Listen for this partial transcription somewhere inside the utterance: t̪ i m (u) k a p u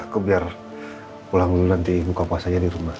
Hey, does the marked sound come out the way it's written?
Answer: yes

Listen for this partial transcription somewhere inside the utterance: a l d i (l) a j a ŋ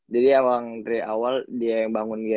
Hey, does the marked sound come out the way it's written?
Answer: no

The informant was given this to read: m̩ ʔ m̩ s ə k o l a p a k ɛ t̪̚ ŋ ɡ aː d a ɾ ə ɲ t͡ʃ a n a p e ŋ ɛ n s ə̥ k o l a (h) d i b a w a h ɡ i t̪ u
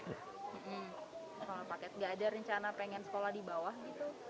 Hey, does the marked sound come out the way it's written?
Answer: yes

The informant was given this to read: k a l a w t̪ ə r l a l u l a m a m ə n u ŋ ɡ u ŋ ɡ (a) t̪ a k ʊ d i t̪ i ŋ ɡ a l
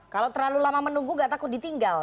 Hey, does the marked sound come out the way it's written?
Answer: yes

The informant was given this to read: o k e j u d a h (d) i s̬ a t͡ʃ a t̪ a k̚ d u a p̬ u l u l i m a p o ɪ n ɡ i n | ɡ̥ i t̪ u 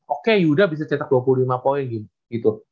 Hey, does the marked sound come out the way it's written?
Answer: no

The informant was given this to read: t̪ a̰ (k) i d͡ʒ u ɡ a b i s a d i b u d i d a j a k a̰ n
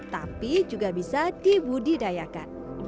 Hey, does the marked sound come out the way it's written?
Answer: no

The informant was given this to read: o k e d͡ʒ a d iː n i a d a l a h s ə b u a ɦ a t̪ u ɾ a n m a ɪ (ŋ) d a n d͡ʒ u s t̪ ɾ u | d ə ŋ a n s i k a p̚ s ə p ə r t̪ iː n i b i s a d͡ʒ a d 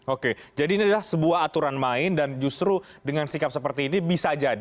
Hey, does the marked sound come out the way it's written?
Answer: no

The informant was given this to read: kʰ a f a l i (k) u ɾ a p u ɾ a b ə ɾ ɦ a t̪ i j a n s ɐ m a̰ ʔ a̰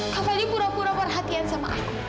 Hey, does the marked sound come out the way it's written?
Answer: no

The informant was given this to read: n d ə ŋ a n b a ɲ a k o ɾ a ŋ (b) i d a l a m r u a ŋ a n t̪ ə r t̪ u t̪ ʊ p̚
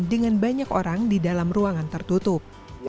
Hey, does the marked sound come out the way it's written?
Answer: no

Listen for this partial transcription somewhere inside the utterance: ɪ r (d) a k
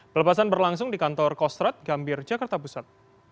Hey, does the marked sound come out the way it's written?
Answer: no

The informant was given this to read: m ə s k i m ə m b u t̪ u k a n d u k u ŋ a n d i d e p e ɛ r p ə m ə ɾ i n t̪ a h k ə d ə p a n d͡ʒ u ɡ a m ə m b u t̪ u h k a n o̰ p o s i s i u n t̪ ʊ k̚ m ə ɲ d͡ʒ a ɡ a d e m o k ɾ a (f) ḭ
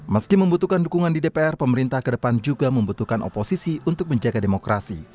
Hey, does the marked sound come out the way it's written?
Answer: no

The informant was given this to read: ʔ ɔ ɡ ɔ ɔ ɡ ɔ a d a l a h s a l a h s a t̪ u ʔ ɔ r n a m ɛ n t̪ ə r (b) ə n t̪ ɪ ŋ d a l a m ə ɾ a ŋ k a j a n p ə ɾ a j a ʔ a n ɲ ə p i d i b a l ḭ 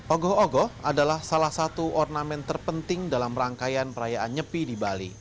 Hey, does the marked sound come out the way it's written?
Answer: no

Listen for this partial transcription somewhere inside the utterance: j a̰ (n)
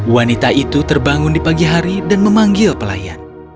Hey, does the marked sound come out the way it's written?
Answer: yes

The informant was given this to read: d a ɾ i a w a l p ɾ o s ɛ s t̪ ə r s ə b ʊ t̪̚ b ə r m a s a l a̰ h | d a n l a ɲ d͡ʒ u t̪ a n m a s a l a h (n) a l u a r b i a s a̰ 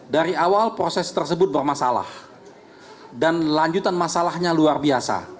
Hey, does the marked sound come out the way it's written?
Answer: no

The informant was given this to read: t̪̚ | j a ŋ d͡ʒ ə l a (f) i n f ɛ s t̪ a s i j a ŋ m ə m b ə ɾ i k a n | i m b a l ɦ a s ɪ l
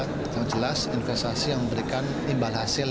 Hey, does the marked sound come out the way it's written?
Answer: no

